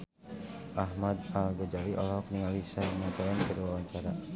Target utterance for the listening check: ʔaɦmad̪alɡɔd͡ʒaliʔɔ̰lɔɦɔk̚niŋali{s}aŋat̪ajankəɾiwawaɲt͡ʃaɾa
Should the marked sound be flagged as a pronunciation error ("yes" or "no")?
no